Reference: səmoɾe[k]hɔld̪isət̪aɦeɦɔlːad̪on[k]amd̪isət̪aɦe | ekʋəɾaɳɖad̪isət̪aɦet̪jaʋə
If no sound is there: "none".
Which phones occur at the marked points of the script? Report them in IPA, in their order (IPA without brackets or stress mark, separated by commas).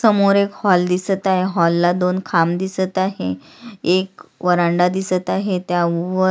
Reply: k, kʰ